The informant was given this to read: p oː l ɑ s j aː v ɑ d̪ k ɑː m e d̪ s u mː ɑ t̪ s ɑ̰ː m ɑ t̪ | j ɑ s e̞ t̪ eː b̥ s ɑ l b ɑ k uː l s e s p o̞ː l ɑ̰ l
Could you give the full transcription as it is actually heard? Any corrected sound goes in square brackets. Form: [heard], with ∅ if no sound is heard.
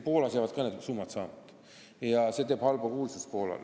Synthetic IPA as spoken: p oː l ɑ s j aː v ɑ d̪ k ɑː [n] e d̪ s u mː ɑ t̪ s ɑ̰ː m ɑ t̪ | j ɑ s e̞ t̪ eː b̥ [h] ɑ l b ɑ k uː l s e s p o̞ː l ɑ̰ l